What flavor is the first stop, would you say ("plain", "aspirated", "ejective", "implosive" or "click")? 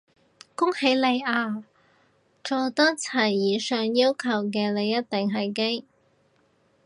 plain